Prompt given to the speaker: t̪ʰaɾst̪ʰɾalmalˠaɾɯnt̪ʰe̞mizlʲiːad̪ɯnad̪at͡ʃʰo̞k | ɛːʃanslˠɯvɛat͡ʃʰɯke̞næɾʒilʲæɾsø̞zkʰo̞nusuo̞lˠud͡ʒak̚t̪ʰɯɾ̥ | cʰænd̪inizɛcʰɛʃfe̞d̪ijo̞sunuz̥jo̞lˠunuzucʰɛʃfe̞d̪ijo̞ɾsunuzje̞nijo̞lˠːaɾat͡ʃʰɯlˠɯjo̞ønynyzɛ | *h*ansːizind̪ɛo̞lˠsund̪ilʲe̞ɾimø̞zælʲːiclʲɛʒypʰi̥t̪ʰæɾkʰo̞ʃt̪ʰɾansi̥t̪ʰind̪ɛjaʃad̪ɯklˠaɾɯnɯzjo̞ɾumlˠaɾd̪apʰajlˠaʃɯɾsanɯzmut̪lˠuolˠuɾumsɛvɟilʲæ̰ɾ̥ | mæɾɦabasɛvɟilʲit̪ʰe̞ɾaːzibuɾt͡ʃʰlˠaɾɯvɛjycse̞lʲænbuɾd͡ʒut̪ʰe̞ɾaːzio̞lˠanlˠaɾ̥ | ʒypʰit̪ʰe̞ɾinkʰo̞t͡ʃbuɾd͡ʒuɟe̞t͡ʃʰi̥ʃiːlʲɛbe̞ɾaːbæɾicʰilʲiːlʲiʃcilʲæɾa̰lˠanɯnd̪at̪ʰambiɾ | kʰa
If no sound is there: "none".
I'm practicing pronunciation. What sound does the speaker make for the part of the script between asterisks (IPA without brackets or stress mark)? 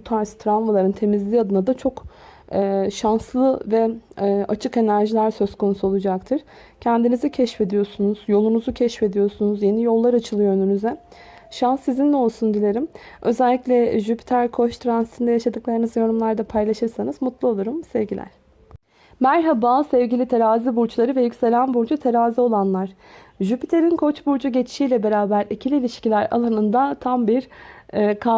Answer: ʃ